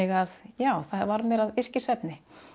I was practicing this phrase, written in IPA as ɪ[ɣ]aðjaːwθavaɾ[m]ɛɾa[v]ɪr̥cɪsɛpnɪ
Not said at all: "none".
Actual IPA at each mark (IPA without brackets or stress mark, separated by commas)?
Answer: ɣ, m, ð